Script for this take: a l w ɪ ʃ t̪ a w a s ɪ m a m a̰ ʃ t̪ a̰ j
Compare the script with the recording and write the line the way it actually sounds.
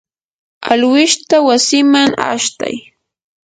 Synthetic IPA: a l w ɪ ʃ t̪ a w a s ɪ m a ŋ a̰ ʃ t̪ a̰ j